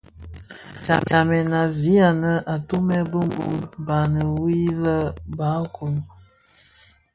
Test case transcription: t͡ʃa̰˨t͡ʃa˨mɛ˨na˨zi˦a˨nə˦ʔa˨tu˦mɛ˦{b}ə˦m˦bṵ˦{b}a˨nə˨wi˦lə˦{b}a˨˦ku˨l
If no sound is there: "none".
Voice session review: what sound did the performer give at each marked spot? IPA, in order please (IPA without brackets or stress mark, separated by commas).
b, b, b